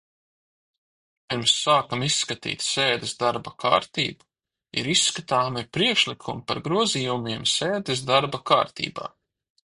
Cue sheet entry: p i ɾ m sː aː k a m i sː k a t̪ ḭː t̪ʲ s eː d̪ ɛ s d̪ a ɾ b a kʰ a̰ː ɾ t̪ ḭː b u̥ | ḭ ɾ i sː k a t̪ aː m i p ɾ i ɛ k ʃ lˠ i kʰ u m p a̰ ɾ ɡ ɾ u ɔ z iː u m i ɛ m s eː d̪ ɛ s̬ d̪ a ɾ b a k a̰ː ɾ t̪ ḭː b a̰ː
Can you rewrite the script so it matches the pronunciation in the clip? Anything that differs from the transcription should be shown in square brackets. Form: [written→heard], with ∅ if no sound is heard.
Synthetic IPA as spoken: p i ɾ m sː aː k a m i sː k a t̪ ḭː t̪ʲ s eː d̪ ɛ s d̪ a ɾ b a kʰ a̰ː ɾ t̪ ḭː b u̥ | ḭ ɾ i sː k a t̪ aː m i p ɾ i ɛ k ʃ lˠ i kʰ u m p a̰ ɾ ɡ ɾ u ɔ z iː u m i ɛ m s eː d̪ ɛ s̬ d̪ a ɾ b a k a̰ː ɾ t̪ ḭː b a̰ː

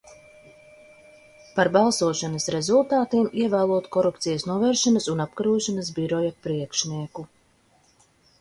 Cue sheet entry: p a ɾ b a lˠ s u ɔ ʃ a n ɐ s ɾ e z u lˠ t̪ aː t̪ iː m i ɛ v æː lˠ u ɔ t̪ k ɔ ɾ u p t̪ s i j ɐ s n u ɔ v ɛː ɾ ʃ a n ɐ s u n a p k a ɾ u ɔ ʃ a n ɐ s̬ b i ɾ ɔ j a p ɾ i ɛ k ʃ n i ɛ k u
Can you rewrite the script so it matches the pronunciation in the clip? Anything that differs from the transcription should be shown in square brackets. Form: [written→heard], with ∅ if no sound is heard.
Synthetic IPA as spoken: p a ɾ b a lˠ s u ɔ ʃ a n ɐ s ɾ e z u lˠ t̪ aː t̪ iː m i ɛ v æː lˠ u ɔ t̪ k ɔ ɾ u p t̪ s i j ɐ s n u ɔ v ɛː ɾ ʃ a n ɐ s u n a p k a ɾ u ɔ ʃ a n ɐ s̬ b i ɾ ɔ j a p ɾ i ɛ k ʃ n i ɛ k u

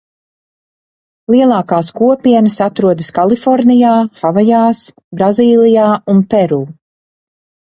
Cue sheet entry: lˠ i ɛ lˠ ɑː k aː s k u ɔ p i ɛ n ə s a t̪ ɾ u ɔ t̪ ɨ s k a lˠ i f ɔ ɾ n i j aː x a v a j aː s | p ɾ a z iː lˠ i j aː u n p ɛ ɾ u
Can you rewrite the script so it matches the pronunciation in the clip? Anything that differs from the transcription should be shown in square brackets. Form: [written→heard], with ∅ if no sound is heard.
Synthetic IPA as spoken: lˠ i ɛ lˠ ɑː k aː s k u ɔ p i ɛ n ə s a t̪ ɾ u ɔ [t̪→d̪] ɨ s k a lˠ i f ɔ ɾ n i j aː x a v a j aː s | [p→b] ɾ a z iː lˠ i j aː u n p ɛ ɾ [u→uː]

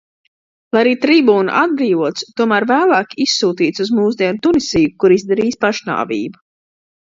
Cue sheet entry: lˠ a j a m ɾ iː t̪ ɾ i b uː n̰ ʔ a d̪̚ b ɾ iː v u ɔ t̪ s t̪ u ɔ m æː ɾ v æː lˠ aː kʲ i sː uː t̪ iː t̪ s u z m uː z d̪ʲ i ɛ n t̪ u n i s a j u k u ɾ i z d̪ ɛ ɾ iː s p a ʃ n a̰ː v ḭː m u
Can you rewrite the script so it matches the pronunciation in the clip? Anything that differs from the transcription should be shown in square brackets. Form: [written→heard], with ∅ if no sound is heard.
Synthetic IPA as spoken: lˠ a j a [m→∅] ɾ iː t̪ ɾ i b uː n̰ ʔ a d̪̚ b ɾ iː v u ɔ t̪ s t̪ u ɔ m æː ɾ v æː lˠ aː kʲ i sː uː t̪ iː t̪ s u z m uː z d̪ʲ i ɛ n t̪ u n i s [a→i] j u k u ɾ i z d̪ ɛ ɾ iː s p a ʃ n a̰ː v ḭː [m→b] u

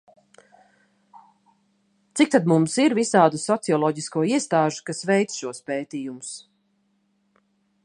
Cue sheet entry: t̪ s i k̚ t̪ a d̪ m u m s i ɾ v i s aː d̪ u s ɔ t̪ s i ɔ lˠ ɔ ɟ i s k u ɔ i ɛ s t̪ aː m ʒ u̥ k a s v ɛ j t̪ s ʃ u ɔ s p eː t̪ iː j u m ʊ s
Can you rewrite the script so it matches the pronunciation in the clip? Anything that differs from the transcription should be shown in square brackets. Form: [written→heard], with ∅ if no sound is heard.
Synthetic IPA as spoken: t̪ s i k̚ t̪ a d̪ m u m s i ɾ v i s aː d̪ u s ɔ t̪ s i ɔ lˠ ɔ ɟ i s k u ɔ i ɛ s t̪ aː [m→∅] ʒ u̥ k a s v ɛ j t̪ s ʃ u ɔ s p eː t̪ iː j u m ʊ s

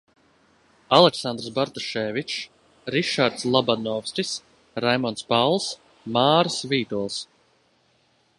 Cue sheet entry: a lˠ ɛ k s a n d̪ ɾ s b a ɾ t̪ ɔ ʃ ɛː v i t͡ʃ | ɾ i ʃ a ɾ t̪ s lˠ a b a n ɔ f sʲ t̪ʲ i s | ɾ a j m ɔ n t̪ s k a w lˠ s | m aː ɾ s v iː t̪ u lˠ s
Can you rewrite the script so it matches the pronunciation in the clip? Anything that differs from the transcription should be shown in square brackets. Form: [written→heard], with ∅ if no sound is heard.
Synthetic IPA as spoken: a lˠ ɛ k s a n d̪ ɾ s b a ɾ t̪ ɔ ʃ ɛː v i t͡ʃ | ɾ i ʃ a ɾ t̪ s lˠ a b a n ɔ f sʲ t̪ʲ i s | ɾ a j m ɔ n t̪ s [k→p] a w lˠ s | m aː ɾ s v iː t̪ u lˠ s

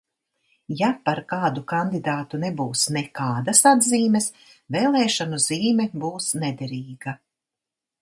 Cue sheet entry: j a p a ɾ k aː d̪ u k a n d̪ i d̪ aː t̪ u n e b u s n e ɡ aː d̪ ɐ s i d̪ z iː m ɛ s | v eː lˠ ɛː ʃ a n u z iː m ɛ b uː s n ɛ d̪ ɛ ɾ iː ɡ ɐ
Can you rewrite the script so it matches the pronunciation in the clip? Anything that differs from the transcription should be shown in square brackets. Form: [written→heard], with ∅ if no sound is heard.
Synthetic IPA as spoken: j a p a ɾ k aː d̪ u k a n d̪ i d̪ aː t̪ u n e b [u→uː] s n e [ɡ→k] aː d̪ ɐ s [i→a] d̪ z iː m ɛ s | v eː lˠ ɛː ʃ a n u z iː m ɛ b uː s n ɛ d̪ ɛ ɾ iː ɡ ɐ

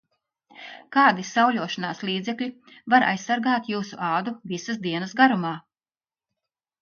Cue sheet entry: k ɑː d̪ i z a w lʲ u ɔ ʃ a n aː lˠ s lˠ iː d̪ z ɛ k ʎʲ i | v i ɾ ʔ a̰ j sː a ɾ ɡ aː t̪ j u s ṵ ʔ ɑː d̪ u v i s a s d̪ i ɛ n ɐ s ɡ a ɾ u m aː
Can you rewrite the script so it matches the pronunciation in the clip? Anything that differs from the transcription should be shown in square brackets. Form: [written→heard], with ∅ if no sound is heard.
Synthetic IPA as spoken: k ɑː d̪ i [z→s] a w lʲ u ɔ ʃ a n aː [lˠ→∅] s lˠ iː d̪ z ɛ k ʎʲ i | v [i→a] ɾ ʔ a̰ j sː a ɾ ɡ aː t̪ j [u→uː] s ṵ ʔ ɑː d̪ u v i s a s d̪ i ɛ n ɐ s ɡ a ɾ u m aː

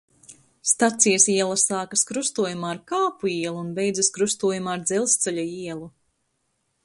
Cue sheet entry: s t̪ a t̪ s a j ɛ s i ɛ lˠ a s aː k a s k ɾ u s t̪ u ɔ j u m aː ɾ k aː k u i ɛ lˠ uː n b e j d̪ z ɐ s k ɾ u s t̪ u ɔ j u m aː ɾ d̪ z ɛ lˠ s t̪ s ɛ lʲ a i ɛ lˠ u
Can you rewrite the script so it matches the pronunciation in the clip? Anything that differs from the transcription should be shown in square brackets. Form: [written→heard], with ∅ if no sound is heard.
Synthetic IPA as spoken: s t̪ a t̪ s [a→i] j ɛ s i ɛ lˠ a s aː k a s k ɾ u s t̪ u ɔ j u m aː ɾ k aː [k→p] u i ɛ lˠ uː n b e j d̪ z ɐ s k ɾ u s t̪ u ɔ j u m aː ɾ d̪ z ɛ lˠ s t̪ s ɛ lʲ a i ɛ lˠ u

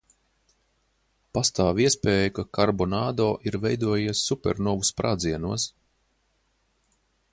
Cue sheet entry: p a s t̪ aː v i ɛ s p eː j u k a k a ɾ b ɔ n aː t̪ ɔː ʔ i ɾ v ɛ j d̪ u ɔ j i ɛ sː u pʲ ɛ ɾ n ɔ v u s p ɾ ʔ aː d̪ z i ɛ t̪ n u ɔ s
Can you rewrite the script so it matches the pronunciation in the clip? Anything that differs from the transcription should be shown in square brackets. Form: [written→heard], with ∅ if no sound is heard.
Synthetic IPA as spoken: p a s t̪ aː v i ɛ s p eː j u k a k a ɾ b ɔ n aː [t̪→d̪] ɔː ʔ i ɾ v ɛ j d̪ u ɔ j i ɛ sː u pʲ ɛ ɾ n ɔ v u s p ɾ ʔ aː d̪ z i ɛ [t̪→∅] n u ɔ s

